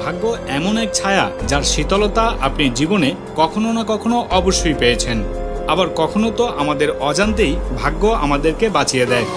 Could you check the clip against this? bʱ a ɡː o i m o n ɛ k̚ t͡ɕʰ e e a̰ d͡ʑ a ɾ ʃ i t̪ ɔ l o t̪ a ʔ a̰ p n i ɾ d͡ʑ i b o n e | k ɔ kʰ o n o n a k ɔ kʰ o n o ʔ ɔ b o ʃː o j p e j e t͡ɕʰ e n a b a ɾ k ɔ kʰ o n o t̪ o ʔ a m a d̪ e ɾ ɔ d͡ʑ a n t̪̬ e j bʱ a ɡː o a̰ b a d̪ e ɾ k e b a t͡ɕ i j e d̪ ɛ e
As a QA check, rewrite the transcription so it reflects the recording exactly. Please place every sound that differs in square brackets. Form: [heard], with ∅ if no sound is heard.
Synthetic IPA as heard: bʱ a ɡː o [ɛ] m o n ɛ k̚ t͡ɕʰ [a] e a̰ d͡ʑ a ɾ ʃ i t̪ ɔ l o t̪ a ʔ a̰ p n i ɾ d͡ʑ i b o n e | k ɔ kʰ o n o n a k ɔ kʰ o n o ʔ ɔ b o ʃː o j p e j e t͡ɕʰ e n a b a ɾ k ɔ kʰ o n o t̪ o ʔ a m a d̪ e ɾ ɔ d͡ʑ a n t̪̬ e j bʱ a ɡː o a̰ [m] a d̪ e ɾ k e b a t͡ɕ i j e d̪ ɛ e